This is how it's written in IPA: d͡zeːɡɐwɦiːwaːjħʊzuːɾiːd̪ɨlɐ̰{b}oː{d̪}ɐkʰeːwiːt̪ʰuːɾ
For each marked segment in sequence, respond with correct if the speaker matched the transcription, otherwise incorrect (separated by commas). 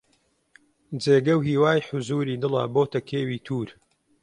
correct, incorrect